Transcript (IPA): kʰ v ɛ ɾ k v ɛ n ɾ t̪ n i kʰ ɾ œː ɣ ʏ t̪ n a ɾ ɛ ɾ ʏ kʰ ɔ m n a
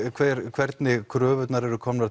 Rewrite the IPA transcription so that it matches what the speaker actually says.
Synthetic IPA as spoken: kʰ v ɛ ɾ kʰ v ɛ ɾ t̪ n ɪ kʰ ɾ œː v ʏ t̪ n a ɾ ɛ ɾ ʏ kʰ ɔ m n a